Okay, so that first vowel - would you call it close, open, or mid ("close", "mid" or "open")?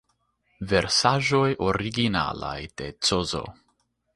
mid